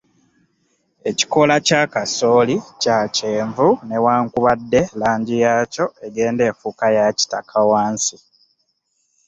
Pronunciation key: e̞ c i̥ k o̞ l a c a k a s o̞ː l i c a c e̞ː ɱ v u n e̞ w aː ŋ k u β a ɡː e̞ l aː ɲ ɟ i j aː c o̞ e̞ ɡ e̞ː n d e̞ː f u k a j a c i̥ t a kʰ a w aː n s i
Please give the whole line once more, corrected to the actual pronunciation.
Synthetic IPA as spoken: e̞ c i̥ k o̞ l a c a k a s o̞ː l i c a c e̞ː ɱ v u n e̞ w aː ŋ k u β a dː e̞ l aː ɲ ɟ i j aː c o̞ e̞ ɡ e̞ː n d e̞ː f u k a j a c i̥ t a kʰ a w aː n s i